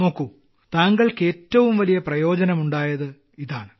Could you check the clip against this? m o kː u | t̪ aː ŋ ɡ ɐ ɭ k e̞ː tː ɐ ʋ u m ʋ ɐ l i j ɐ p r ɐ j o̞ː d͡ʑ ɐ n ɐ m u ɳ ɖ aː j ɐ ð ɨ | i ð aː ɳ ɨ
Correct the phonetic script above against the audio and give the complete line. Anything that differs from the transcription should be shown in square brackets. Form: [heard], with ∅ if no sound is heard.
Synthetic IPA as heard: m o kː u | t̪ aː ŋ ɡ ɐ ɭ k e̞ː tː ɐ ʋ u m ʋ ɐ l i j ɐ p r ɐ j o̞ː d͡ʑ ɐ n ɐ m u ɳ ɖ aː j ɐ ð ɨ | i ð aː ɳ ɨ